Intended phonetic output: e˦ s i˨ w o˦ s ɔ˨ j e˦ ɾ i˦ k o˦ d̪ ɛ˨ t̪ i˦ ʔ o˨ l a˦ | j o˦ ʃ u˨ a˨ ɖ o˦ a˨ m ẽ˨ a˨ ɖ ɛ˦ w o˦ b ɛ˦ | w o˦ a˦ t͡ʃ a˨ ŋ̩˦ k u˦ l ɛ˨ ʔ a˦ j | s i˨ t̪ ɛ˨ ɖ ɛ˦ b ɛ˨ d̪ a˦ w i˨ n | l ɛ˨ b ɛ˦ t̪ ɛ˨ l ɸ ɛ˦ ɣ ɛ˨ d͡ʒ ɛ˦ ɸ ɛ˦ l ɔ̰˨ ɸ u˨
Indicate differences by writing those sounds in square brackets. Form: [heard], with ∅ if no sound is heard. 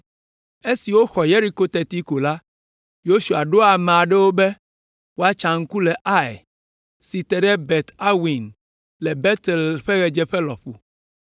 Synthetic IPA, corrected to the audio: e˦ s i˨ w o˦ [x] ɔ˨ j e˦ ɾ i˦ k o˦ [t̪] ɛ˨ t̪ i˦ [k] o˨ l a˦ | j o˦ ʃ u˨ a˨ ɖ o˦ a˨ m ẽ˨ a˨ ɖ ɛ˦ w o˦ b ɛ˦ | w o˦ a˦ t͡ʃ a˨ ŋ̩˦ k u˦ l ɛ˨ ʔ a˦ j | s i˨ t̪ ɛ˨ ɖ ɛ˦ b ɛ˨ [t̪] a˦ w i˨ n | l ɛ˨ b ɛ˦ t̪ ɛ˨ l ɸ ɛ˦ ɣ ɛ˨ d͡ʒ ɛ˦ ɸ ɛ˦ l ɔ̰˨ ɸ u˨